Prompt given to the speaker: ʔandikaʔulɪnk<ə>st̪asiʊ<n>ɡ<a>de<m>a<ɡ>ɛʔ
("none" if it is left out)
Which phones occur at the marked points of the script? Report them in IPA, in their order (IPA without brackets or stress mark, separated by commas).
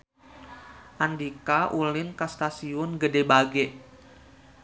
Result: a, n, ə, b, ɡ